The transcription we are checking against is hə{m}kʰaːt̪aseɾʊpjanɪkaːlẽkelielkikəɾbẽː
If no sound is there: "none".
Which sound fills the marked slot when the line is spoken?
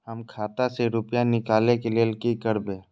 m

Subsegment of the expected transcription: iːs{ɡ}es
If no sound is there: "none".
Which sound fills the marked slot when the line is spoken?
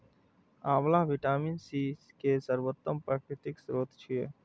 k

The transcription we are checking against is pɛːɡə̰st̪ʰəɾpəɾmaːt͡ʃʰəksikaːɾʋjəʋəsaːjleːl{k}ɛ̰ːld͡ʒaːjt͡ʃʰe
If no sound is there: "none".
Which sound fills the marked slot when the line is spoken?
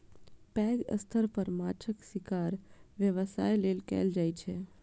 k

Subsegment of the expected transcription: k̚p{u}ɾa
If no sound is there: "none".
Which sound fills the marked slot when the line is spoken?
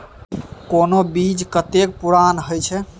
u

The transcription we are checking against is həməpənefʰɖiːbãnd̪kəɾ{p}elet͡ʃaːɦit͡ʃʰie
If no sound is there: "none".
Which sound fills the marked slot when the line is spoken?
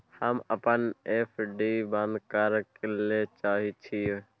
k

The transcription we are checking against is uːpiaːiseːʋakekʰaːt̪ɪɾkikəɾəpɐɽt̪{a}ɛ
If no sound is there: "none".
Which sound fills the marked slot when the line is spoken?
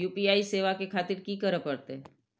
e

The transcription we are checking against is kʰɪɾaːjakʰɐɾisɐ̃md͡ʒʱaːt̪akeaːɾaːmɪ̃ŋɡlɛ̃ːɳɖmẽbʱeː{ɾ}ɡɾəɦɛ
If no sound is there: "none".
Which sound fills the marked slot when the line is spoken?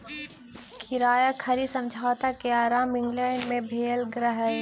l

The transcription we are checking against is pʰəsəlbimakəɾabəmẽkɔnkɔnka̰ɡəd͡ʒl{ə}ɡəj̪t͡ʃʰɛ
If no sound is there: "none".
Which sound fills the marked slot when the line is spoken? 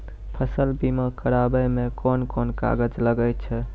ə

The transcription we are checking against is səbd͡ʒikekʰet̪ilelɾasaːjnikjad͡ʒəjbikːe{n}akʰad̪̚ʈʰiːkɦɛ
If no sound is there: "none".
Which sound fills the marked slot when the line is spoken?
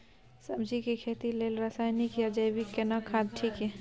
n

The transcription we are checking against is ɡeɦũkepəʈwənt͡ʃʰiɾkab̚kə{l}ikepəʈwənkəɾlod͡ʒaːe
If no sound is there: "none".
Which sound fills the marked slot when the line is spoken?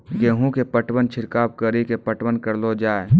ɾ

